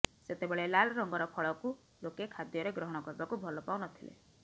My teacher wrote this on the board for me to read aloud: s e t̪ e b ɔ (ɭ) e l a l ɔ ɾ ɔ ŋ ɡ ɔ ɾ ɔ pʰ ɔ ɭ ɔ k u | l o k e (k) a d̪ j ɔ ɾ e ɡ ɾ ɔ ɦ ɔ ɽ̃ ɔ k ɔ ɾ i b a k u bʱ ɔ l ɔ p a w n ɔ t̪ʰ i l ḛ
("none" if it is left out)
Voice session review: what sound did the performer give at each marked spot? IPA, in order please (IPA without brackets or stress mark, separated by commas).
ɭ, kʰ